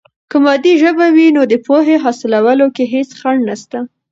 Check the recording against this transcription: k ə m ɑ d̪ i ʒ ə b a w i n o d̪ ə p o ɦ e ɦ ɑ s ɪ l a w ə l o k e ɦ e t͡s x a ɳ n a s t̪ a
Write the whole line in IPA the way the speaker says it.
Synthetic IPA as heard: k ə m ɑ d̪ i ʒ ə b a w i n o d̪ ə p o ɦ e ɦ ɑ s ɪ l a w ə l o k e ɦ e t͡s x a ɳ n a s t̪ a